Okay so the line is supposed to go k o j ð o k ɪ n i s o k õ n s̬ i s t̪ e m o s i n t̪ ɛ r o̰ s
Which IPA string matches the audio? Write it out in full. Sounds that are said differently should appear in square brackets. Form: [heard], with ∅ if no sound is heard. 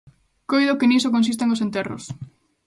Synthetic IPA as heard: k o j ð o k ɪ n i s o k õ n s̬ i s t̪ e [ŋ] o s [e] n t̪ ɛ r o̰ s